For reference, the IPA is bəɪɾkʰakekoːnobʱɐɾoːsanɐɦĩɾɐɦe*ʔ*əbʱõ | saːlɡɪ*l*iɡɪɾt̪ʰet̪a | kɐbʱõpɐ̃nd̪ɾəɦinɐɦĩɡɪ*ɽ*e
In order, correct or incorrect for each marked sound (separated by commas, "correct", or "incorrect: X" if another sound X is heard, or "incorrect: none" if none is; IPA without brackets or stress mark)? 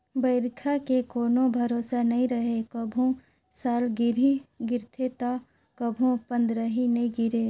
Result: incorrect: k, incorrect: ɾ, incorrect: ɾ